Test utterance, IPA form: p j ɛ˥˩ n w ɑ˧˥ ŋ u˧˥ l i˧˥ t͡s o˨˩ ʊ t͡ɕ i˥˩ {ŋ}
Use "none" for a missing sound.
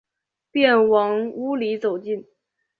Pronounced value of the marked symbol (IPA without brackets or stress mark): n